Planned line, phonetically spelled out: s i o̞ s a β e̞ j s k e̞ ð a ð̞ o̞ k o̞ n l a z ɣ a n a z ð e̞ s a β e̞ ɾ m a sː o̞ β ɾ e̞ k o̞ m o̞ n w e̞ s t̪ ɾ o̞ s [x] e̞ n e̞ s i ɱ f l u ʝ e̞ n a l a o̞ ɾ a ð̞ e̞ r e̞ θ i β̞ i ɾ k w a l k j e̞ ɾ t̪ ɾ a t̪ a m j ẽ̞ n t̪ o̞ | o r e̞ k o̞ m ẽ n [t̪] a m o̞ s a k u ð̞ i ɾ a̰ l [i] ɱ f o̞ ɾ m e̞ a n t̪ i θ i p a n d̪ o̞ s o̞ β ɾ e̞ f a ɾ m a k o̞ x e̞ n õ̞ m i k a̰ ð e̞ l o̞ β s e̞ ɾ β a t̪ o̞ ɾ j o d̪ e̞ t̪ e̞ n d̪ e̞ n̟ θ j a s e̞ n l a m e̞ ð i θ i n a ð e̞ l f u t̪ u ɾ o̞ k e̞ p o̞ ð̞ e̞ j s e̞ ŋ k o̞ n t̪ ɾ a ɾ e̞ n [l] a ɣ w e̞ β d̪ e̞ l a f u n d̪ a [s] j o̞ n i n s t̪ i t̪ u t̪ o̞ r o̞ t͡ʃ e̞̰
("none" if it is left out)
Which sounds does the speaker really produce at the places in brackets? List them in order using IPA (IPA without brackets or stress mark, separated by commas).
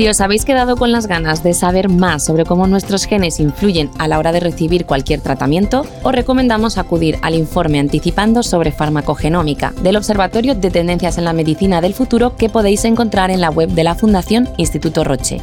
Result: x, d̪, i, l, θ